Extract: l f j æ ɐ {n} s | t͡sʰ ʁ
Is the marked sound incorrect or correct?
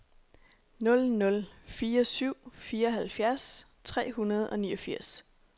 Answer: incorrect